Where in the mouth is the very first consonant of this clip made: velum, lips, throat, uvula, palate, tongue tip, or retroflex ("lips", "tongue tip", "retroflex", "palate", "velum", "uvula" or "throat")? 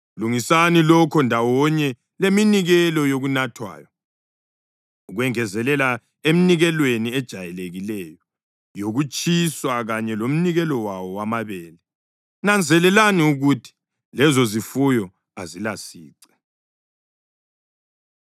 tongue tip